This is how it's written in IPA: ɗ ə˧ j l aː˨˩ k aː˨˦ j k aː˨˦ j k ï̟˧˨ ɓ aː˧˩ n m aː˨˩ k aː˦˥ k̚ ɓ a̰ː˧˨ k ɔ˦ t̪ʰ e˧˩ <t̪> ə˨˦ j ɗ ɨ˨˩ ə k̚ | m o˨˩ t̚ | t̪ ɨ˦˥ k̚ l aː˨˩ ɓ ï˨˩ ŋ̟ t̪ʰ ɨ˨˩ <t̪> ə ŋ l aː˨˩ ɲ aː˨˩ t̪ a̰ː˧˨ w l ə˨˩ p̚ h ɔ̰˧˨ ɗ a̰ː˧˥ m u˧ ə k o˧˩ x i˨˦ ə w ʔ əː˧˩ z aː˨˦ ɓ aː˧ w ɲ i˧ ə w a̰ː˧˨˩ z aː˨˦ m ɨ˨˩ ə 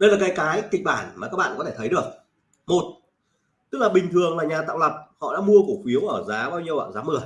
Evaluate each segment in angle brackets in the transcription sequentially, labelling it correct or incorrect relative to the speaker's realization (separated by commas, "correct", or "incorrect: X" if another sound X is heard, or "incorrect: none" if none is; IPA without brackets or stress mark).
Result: incorrect: t̪ʰ, incorrect: none